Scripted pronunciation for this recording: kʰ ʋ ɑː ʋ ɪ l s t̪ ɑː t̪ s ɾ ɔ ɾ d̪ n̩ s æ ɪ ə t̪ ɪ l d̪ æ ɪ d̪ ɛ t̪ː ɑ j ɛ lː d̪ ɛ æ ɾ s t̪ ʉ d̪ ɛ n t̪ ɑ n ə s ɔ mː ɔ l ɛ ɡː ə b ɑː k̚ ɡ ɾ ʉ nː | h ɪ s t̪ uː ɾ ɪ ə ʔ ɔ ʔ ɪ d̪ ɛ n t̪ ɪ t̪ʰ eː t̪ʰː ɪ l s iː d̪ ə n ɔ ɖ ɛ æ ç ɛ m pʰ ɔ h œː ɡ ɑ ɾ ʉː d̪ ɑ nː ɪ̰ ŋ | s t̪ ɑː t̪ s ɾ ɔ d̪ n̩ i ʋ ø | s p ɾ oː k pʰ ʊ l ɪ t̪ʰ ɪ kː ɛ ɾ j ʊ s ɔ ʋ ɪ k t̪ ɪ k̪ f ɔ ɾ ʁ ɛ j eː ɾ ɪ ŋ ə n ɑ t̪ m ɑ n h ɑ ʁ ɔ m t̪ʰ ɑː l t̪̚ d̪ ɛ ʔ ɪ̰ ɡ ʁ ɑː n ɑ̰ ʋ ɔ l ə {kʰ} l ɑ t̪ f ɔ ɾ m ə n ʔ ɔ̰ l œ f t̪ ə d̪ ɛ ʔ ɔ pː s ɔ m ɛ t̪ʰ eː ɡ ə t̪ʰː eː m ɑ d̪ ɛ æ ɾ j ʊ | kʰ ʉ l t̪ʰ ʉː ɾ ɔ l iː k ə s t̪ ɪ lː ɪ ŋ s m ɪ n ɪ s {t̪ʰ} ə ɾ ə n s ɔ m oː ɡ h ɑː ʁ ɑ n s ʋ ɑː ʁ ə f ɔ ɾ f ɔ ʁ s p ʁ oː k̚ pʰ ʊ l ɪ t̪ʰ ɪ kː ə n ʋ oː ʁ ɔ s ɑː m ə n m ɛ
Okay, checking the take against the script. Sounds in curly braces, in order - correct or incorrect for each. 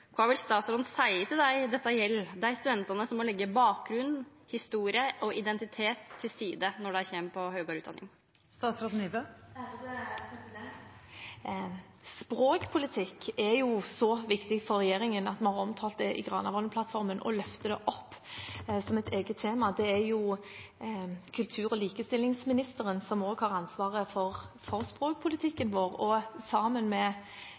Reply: incorrect, incorrect

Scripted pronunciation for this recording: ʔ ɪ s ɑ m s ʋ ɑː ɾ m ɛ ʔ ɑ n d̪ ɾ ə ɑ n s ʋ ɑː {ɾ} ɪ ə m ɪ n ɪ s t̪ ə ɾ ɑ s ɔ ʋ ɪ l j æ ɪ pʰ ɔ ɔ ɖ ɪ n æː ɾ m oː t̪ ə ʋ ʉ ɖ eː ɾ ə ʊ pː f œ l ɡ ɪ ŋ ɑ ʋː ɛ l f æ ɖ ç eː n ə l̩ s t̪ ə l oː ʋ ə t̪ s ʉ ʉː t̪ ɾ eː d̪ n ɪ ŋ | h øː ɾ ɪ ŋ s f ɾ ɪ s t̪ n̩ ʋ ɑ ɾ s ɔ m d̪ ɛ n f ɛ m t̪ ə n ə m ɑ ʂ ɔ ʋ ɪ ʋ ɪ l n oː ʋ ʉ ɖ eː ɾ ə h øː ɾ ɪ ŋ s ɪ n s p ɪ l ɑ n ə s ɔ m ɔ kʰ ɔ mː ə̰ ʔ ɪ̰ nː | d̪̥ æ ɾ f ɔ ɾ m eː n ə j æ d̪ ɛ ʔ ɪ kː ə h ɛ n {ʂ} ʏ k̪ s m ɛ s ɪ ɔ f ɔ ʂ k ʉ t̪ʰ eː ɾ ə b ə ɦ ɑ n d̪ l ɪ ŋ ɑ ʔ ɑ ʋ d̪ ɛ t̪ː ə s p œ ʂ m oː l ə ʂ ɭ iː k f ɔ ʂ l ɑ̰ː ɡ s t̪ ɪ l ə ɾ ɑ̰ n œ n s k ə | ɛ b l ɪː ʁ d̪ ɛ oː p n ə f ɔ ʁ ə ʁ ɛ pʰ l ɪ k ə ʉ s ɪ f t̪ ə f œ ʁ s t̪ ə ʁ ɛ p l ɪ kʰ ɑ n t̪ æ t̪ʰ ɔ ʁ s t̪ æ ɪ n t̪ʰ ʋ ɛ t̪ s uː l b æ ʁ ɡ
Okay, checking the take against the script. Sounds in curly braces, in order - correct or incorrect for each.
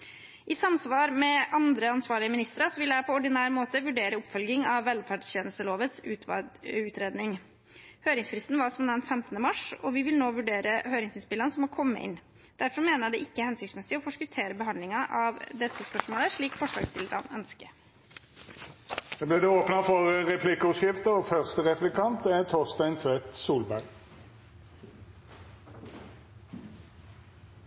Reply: incorrect, incorrect

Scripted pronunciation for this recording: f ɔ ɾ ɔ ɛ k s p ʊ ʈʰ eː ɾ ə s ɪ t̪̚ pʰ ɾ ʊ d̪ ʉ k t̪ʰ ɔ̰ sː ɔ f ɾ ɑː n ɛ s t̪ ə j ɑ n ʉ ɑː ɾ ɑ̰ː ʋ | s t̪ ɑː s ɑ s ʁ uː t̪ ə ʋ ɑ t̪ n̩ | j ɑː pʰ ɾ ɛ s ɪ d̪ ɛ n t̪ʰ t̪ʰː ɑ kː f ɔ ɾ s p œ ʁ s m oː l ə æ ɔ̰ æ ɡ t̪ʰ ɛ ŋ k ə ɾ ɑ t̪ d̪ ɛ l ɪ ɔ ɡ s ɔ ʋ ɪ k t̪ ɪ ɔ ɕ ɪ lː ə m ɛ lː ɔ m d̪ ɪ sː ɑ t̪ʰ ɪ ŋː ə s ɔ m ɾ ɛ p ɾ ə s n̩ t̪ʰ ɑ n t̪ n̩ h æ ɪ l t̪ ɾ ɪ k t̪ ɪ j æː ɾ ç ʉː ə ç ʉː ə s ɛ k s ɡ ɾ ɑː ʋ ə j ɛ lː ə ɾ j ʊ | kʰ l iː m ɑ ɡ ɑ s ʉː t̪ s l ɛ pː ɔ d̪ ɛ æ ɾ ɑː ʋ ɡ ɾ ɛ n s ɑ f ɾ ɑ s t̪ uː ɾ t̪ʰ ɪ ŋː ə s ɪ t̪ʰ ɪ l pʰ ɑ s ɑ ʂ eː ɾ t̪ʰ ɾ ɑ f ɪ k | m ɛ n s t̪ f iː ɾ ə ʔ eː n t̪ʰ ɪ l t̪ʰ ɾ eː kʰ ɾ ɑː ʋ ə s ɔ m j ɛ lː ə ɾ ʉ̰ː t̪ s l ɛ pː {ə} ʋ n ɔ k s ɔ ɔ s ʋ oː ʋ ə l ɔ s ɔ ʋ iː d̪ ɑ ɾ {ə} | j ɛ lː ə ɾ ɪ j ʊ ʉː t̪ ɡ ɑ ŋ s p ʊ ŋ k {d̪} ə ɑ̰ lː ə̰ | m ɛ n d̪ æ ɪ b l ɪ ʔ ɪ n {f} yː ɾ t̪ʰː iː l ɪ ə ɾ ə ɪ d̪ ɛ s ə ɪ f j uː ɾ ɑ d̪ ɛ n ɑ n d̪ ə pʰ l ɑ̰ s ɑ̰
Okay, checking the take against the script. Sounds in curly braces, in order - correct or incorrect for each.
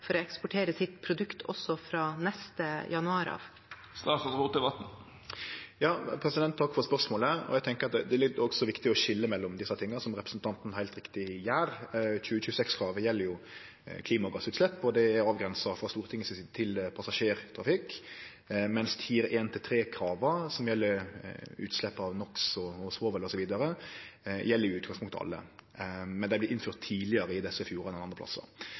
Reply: incorrect, correct, incorrect, correct

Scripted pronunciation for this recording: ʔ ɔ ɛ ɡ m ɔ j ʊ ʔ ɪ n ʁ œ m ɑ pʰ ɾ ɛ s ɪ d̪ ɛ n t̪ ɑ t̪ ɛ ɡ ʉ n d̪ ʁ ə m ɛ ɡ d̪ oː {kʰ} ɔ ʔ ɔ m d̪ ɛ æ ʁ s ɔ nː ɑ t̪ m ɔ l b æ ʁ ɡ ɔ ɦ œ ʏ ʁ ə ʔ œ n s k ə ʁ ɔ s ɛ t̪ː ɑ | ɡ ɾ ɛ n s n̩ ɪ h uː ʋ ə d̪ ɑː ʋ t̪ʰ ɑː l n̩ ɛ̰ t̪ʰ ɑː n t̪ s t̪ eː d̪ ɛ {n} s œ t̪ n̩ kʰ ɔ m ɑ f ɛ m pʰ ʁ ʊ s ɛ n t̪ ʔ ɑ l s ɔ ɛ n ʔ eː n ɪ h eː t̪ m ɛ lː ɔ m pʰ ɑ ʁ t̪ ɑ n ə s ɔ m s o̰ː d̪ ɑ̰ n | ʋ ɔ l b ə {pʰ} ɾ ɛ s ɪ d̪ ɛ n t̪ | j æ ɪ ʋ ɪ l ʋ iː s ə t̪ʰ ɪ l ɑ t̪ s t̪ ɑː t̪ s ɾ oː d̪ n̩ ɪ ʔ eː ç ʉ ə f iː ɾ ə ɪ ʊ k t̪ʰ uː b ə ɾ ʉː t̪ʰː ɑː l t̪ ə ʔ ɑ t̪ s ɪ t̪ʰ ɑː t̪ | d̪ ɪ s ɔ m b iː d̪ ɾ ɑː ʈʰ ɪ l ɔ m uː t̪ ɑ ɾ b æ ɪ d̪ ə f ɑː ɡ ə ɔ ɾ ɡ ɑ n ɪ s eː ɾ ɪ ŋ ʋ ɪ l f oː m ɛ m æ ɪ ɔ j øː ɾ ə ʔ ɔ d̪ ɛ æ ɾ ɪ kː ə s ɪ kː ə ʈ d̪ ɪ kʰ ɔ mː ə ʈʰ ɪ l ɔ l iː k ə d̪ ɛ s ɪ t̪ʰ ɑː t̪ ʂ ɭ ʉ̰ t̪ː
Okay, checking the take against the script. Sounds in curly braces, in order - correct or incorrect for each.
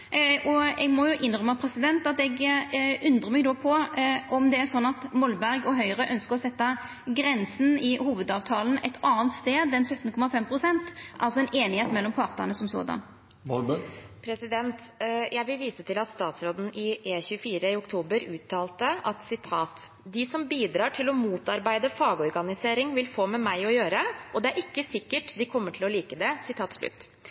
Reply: incorrect, correct, correct

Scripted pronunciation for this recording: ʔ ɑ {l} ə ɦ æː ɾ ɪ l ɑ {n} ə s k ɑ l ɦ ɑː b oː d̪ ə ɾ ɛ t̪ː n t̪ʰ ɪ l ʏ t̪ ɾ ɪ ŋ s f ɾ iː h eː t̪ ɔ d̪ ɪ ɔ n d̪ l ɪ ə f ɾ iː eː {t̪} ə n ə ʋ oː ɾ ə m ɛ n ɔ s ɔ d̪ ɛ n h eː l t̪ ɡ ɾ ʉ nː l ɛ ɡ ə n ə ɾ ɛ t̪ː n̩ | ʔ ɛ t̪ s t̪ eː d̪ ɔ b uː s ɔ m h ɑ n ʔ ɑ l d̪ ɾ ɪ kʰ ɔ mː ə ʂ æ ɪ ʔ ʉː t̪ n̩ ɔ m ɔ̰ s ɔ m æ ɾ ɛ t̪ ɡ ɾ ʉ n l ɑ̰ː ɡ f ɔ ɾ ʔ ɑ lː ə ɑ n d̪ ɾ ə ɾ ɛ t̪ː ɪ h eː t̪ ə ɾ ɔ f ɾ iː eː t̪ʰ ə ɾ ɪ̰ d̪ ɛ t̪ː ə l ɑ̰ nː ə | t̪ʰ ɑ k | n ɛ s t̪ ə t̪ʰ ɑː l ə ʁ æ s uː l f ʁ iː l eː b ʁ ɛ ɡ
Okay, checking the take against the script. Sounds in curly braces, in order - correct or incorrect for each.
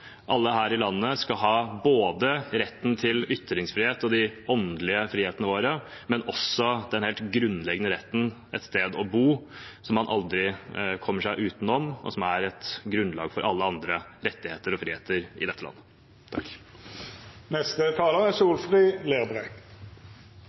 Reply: incorrect, incorrect, correct

